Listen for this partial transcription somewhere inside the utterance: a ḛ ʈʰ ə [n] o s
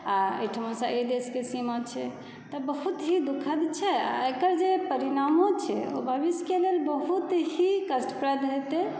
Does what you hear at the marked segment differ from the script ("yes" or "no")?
yes